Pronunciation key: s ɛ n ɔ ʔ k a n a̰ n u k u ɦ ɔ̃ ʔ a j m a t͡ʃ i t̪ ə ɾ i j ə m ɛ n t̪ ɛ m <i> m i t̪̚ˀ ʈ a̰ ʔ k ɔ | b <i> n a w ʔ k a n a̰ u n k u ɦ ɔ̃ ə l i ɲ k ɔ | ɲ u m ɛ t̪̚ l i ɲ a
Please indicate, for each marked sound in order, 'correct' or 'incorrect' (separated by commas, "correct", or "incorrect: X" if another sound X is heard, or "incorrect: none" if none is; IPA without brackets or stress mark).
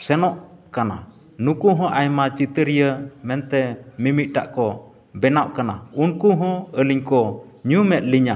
correct, incorrect: ɛ